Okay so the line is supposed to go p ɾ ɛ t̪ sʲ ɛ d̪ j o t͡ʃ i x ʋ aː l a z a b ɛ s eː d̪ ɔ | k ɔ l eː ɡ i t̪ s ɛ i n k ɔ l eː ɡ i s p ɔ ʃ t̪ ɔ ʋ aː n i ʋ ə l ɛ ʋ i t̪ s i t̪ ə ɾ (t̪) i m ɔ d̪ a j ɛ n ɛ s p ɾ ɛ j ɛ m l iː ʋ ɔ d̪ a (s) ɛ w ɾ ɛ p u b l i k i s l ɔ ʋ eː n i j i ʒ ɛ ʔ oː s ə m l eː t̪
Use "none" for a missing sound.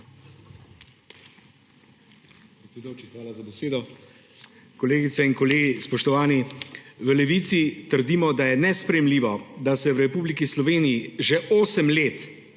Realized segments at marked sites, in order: d̪, s

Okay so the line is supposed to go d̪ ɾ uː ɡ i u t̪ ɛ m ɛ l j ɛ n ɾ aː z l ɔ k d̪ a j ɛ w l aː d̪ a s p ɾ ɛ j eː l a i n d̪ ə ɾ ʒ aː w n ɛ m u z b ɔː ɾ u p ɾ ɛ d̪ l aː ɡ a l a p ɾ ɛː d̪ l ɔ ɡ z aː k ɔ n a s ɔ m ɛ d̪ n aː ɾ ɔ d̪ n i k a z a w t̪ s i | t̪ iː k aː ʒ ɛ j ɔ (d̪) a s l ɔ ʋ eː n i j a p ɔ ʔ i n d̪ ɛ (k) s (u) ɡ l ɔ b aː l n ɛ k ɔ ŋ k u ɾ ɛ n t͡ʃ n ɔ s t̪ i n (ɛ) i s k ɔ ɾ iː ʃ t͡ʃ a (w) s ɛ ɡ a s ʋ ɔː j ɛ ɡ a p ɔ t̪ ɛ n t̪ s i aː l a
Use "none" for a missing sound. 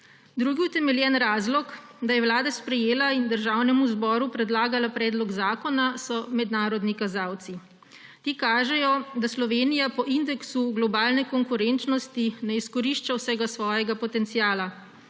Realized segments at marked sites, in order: d̪, k, u, ɛ, w

